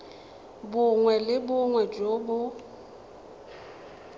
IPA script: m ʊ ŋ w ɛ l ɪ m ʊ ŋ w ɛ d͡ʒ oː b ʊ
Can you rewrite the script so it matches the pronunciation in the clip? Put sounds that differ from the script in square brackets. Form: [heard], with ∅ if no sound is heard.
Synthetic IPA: [b] ʊ ŋ w ɛ l ɪ [b] ʊ ŋ w ɛ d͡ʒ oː b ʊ